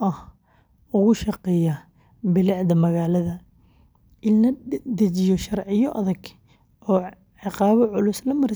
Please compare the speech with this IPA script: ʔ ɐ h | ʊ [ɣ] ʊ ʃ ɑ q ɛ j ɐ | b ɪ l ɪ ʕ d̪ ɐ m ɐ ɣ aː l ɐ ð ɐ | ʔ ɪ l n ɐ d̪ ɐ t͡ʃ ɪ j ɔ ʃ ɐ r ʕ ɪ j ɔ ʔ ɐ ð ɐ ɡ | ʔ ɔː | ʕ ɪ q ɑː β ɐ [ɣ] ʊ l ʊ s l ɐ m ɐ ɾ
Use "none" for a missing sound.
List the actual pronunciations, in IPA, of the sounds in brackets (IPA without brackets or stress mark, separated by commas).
ɣ, ʕ